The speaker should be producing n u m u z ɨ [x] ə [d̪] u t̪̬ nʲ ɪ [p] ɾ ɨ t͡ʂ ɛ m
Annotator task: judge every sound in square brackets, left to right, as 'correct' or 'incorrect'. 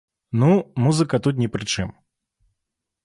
incorrect, incorrect, correct

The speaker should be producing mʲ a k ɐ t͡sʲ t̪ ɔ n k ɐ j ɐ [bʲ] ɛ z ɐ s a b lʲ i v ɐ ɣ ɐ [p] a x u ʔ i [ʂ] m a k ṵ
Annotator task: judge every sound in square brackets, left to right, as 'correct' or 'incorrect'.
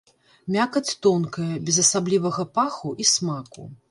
correct, correct, incorrect

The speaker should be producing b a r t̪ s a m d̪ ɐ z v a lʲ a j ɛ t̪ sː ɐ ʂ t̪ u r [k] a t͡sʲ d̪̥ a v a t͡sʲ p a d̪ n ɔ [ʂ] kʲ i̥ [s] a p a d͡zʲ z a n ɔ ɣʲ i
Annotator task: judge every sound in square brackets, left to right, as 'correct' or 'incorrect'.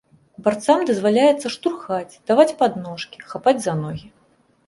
incorrect, correct, incorrect

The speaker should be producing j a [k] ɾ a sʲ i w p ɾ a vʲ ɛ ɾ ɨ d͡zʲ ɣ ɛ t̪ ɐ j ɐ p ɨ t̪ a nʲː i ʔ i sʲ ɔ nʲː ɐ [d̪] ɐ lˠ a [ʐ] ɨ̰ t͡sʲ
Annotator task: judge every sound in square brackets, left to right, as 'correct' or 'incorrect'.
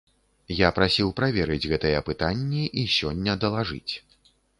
incorrect, correct, correct

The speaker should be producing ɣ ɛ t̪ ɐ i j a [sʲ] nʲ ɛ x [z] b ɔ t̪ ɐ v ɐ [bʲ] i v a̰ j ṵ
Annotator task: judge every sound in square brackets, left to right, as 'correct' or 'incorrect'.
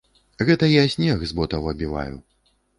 correct, correct, correct

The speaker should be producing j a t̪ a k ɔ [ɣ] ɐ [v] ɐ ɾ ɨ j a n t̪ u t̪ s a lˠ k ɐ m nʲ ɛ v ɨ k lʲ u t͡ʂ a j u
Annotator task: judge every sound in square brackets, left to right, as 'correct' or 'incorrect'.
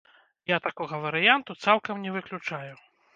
correct, correct

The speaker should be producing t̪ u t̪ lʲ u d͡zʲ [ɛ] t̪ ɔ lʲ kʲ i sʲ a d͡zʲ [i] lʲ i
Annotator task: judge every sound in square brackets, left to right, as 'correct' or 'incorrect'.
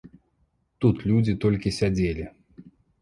incorrect, incorrect

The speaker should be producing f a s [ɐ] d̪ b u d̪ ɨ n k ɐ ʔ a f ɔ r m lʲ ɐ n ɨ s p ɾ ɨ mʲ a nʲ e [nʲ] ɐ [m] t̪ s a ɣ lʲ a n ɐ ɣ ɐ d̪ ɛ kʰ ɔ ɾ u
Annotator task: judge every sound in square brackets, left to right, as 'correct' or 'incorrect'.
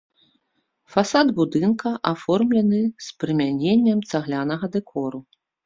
incorrect, incorrect, correct

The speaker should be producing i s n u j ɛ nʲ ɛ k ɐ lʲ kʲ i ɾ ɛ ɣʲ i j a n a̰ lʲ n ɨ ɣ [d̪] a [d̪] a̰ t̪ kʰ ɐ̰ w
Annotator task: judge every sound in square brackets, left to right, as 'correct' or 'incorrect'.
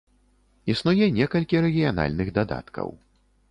correct, correct

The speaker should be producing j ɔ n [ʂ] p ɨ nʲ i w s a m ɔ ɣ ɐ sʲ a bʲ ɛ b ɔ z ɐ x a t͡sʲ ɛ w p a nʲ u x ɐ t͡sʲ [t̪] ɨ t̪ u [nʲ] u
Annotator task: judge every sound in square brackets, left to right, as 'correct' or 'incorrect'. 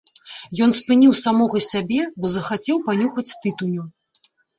incorrect, correct, correct

